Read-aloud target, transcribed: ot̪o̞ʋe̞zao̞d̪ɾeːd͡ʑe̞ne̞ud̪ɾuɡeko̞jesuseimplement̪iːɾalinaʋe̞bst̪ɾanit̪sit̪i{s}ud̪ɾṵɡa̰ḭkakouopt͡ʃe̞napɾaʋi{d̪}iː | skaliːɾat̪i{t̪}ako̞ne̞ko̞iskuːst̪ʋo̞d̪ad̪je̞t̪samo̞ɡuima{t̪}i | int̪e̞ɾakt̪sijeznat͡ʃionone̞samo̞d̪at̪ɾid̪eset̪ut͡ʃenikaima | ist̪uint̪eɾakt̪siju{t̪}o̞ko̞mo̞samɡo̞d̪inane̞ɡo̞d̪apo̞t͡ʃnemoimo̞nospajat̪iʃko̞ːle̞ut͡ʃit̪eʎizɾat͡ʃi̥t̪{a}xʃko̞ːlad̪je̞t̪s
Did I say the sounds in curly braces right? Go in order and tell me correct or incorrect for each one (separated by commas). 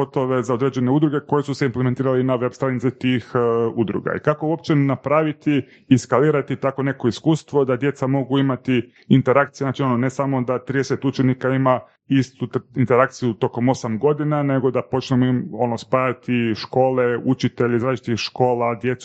incorrect, incorrect, correct, correct, correct, incorrect